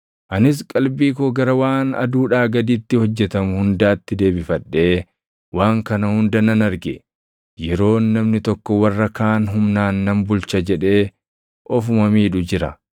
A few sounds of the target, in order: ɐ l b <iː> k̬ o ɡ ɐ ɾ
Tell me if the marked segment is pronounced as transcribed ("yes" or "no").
yes